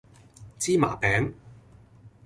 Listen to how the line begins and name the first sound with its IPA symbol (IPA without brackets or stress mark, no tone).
t͡s